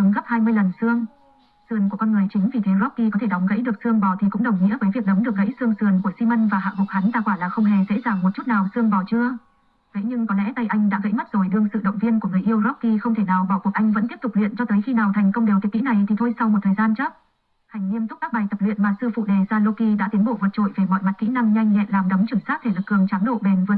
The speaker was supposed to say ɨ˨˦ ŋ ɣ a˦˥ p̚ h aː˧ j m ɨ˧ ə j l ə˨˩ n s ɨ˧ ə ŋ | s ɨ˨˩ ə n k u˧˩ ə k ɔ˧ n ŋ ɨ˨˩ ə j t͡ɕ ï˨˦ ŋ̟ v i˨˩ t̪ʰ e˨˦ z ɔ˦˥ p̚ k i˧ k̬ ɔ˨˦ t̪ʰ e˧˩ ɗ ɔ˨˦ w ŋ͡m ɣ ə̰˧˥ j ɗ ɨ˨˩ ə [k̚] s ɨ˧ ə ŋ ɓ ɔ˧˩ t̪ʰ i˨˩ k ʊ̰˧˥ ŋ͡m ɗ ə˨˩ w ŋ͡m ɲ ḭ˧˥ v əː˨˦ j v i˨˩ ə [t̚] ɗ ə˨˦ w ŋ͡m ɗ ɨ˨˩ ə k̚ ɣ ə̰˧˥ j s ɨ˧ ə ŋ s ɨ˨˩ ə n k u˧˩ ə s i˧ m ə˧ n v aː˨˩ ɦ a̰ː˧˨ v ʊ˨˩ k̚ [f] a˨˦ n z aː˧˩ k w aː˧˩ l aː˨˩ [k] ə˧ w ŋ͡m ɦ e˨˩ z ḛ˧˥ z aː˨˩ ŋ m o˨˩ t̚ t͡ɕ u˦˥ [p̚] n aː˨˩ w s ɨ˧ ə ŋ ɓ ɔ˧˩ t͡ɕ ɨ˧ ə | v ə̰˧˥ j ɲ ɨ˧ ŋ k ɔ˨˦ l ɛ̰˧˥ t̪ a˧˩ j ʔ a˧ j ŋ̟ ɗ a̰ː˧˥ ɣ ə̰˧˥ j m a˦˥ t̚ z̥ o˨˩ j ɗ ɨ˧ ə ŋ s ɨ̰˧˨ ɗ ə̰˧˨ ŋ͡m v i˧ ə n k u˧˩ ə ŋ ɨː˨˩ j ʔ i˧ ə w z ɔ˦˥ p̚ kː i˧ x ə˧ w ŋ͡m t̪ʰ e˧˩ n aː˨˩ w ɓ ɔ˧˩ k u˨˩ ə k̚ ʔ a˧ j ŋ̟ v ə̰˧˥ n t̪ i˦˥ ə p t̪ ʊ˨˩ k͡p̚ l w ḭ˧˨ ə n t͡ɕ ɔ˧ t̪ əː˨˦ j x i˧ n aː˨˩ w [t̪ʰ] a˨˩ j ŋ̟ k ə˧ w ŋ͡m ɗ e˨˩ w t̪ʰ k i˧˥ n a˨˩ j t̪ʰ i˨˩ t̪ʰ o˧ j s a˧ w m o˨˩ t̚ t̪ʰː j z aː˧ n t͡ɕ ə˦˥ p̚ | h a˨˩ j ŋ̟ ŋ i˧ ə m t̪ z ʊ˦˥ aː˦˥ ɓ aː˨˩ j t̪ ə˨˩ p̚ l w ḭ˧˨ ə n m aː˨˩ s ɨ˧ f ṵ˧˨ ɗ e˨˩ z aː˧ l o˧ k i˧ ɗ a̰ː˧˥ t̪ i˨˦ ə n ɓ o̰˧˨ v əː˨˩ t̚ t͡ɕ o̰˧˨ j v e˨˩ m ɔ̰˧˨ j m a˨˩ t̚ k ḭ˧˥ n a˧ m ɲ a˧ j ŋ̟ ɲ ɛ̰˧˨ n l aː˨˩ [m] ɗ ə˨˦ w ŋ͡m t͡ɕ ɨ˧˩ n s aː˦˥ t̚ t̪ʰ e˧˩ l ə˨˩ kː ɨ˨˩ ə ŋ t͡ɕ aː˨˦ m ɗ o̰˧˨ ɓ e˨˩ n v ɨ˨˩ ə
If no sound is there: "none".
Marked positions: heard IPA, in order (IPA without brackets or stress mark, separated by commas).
k̚, k̚, h, x, t̚, t̪ʰ, m